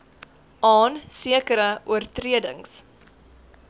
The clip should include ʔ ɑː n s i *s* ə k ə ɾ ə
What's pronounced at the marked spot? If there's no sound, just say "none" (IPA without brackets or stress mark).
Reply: none